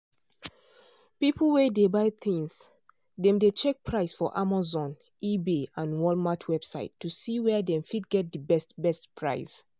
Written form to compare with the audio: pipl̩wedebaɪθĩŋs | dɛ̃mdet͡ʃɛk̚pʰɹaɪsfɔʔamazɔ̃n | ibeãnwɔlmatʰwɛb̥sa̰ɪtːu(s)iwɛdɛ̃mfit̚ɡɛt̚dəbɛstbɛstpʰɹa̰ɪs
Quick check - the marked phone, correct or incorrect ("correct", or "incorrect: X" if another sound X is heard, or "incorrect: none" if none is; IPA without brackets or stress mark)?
correct